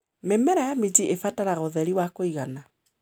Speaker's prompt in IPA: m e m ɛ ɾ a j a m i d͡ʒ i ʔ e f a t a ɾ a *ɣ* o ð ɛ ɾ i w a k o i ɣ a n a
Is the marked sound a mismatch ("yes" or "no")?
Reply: no